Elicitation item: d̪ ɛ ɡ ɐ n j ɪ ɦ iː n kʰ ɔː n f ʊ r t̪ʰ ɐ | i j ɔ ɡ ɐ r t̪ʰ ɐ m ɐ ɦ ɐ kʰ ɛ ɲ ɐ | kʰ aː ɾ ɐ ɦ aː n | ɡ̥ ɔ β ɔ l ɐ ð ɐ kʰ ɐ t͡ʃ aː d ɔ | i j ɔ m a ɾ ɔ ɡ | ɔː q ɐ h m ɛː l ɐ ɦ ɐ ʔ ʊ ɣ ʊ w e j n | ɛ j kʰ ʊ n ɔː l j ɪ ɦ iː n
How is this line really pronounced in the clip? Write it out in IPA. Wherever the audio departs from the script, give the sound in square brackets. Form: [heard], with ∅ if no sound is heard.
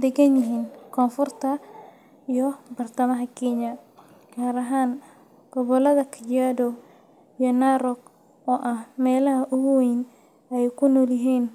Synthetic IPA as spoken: d̪ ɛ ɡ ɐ n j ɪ ɦ iː n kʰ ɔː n f ʊ r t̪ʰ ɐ | i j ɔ [b] ɐ r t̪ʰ ɐ m ɐ ɦ ɐ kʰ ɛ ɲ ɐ | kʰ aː ɾ ɐ ɦ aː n | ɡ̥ ɔ β ɔ l ɐ ð ɐ kʰ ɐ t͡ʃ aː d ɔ | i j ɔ [n] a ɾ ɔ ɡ | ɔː [ʔ] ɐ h m ɛː l ɐ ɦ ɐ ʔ ʊ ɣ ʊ w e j n | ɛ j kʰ ʊ n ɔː l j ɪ ɦ iː n